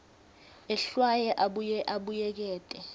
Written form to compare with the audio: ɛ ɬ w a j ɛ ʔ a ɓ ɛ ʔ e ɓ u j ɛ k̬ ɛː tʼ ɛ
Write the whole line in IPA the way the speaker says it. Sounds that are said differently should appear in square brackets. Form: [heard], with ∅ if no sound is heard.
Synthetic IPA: ɛ ɬ w a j ɛ ʔ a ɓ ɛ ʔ [a] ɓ u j ɛ k̬ ɛː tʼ ɛ

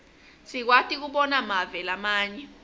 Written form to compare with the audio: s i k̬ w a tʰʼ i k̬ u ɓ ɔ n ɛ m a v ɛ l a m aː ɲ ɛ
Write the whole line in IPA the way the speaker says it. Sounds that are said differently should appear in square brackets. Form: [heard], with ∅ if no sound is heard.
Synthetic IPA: s i k̬ w a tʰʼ i k̬ u ɓ ɔ n [a] m a v ɛ l a m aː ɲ ɛ

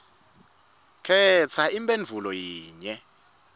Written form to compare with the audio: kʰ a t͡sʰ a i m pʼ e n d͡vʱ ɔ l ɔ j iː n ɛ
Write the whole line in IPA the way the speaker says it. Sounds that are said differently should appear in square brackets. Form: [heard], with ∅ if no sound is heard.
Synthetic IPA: kʰ [ɛ] t͡sʰ a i m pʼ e n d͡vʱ [u] l ɔ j iː [ɲ] ɛ

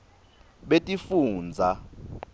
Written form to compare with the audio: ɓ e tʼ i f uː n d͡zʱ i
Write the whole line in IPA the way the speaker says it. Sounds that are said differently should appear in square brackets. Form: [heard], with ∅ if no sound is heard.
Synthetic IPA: ɓ e tʼ i f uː n d͡zʱ [a]

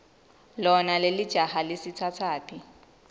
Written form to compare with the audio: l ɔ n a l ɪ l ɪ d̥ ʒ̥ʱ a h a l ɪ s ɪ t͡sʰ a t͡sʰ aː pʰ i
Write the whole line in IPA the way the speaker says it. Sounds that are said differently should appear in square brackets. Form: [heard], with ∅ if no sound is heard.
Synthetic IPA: l ɔ n a l ɪ l ɪ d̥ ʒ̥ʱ a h a l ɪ s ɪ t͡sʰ a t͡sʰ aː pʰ i

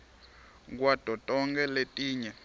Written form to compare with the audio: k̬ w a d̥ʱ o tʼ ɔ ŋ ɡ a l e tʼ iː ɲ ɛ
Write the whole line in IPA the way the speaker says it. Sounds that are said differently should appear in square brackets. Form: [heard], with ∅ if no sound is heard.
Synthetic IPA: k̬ w a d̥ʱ [ɔ] tʼ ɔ ŋ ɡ [ɛ] l e tʼ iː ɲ ɛ

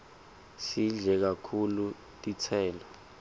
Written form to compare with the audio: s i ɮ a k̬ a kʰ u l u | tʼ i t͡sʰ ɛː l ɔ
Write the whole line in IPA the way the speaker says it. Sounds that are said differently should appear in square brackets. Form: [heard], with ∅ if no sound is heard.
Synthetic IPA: s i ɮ [ɛ] k̬ a kʰ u l u | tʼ i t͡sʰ ɛː l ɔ

